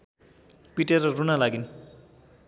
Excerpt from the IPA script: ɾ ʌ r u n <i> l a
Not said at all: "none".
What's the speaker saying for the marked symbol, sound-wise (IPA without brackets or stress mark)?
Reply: a